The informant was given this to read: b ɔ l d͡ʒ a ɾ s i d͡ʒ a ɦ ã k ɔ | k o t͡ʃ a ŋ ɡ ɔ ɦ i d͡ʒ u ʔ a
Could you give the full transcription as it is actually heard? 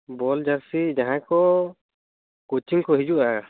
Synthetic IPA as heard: b ɔ l d͡ʒ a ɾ s i d͡ʒ a ɦ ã k ɔ | k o t͡ʃ i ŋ k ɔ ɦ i d͡ʒ u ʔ a